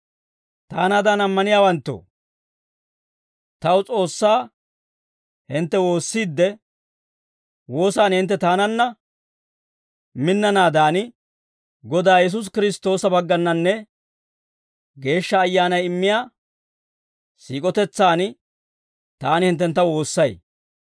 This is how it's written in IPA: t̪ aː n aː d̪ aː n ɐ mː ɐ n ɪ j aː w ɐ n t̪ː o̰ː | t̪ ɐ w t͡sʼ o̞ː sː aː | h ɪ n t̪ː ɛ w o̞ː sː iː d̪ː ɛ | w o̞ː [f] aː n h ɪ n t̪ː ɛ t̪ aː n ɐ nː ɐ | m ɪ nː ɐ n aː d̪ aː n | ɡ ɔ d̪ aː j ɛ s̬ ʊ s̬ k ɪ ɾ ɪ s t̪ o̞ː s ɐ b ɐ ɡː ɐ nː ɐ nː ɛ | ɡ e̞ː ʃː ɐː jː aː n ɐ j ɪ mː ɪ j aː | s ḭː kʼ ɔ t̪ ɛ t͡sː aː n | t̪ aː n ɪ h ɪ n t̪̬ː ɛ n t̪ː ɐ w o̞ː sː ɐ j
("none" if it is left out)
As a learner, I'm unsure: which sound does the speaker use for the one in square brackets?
s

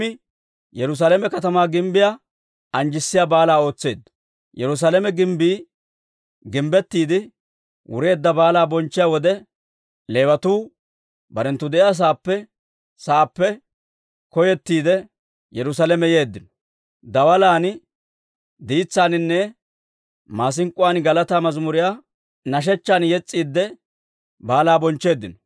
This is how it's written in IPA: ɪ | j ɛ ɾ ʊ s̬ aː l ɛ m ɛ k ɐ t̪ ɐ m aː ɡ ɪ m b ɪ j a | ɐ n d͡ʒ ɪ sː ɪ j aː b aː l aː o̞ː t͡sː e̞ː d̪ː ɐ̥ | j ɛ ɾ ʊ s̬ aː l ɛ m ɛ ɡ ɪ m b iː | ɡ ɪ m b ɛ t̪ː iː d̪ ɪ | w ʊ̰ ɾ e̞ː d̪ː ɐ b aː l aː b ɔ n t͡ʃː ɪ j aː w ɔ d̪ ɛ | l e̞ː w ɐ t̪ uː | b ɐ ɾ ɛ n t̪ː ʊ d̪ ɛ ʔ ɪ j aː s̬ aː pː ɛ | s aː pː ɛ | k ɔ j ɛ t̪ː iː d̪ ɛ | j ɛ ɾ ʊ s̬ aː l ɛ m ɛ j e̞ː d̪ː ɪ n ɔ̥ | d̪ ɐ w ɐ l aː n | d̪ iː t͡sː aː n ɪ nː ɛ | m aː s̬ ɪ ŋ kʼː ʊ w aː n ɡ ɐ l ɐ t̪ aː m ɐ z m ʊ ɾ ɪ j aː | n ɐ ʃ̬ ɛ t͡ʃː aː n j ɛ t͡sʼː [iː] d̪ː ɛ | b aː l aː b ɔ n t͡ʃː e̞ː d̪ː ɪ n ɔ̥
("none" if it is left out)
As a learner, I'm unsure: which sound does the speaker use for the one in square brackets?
iː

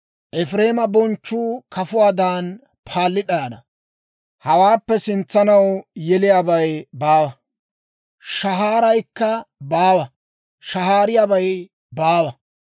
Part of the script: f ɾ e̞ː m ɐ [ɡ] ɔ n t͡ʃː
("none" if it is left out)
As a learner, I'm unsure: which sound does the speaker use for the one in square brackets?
b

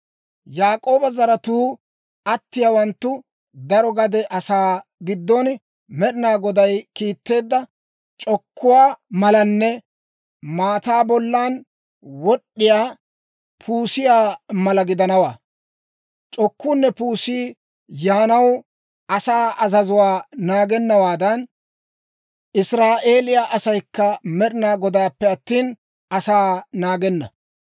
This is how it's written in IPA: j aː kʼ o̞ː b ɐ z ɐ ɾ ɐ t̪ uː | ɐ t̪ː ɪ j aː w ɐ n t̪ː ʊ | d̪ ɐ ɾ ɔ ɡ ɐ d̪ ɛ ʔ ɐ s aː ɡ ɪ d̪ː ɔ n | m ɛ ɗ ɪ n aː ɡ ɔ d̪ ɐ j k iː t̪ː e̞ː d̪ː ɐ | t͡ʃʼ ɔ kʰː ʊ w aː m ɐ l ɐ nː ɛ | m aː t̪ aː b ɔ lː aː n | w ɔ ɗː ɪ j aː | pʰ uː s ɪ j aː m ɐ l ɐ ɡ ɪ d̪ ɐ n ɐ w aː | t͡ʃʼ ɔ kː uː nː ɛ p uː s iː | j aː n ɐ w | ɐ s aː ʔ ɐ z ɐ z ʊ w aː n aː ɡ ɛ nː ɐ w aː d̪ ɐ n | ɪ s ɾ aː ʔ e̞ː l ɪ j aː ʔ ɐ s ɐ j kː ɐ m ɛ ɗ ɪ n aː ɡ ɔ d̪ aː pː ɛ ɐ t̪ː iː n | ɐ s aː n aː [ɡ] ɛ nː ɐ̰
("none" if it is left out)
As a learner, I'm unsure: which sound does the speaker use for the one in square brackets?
ɡ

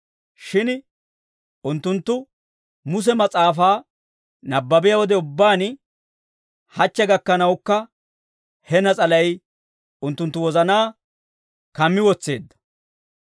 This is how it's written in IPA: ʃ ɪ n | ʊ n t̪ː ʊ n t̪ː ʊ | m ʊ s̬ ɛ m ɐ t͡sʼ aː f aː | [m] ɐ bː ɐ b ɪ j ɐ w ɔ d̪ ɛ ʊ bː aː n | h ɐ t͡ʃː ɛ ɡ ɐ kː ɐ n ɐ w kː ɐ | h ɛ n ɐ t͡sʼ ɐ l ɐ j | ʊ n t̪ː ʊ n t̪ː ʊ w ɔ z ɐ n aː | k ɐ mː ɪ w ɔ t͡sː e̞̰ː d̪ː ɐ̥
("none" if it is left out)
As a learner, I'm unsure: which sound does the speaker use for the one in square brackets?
n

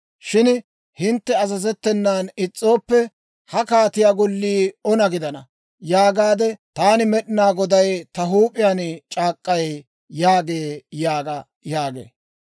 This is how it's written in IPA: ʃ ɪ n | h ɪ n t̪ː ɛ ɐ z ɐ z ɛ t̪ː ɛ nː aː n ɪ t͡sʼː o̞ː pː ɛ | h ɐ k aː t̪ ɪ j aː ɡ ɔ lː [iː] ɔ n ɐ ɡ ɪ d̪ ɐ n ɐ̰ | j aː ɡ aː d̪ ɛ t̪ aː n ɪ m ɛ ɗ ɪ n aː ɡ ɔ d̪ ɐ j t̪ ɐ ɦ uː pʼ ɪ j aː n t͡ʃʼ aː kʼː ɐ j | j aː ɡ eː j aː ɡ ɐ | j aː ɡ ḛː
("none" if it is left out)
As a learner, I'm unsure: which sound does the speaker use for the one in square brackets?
iː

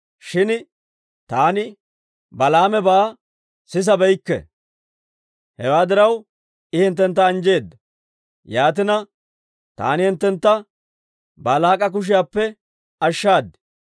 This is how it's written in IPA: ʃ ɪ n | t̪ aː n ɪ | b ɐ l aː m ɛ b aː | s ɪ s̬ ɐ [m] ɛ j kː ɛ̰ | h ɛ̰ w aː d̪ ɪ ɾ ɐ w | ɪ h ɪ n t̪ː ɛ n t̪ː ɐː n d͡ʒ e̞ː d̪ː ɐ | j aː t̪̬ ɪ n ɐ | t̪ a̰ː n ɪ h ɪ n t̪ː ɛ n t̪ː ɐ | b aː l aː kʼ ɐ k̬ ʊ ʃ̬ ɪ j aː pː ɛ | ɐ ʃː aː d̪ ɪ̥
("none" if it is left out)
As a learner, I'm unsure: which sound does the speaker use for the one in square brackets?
b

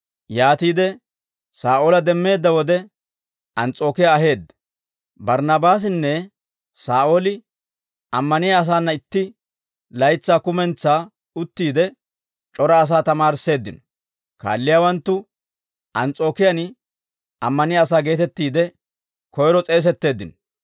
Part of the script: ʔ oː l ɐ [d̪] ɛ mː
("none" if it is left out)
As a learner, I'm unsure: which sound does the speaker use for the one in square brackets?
d̪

